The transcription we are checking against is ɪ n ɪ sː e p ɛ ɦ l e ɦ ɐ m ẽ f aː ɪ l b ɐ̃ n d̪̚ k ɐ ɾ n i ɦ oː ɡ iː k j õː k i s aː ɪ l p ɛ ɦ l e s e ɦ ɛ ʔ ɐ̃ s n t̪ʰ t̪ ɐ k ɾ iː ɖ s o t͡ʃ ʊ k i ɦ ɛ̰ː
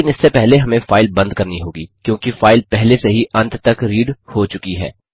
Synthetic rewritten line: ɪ n ɪ sː e p ɛ ɦ l e ɦ ɐ m ẽ f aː ɪ l b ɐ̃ n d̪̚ k ɐ ɾ n i ɦ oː ɡ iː k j õː k i f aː ɪ l p ɛ ɦ l e s e ɦ i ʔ ɐ̃ n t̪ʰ t̪ ɐ k ɾ iː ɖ h o t͡ʃ ʊ k i ɦ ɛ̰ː